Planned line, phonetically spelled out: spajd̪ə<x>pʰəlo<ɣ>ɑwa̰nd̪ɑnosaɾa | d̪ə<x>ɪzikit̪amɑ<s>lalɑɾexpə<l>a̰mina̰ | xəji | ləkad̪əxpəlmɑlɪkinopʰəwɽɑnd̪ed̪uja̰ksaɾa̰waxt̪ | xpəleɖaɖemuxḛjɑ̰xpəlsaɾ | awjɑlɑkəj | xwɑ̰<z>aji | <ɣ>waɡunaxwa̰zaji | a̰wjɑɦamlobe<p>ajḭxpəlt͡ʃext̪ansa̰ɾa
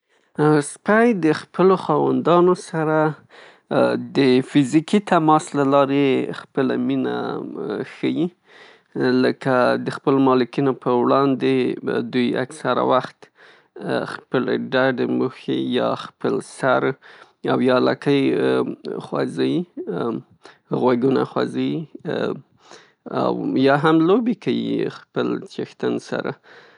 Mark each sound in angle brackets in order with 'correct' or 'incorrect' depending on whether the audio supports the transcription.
correct, incorrect: x, incorrect: f, correct, correct, correct, correct, incorrect: k

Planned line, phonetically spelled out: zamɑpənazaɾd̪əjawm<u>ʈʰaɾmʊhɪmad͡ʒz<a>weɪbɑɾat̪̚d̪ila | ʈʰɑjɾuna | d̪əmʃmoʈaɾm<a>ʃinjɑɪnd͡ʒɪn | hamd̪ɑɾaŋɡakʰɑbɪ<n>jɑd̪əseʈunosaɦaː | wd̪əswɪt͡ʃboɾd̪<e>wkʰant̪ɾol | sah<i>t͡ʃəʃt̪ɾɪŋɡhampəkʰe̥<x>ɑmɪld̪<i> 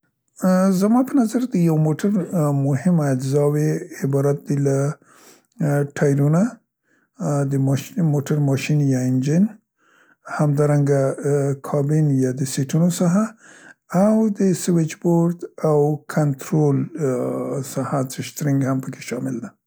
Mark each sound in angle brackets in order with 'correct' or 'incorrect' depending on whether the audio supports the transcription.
incorrect: o, incorrect: ɑ, incorrect: ɑ, correct, incorrect: a, incorrect: a, incorrect: ʃ, incorrect: a

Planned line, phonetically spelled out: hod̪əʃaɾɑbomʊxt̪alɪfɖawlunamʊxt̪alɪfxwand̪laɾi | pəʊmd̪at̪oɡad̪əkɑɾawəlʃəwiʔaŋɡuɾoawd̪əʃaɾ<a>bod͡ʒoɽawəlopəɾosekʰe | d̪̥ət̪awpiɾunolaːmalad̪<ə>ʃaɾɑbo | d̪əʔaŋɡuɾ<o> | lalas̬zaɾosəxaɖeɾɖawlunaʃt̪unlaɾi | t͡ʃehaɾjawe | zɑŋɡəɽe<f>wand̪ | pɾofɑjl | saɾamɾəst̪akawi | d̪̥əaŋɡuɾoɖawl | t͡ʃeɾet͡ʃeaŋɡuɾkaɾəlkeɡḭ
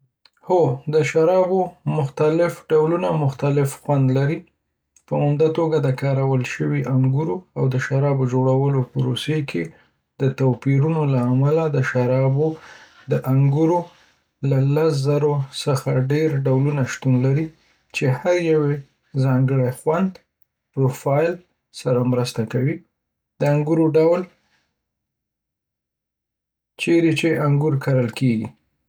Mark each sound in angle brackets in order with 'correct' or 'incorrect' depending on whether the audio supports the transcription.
incorrect: ɑ, correct, correct, incorrect: x

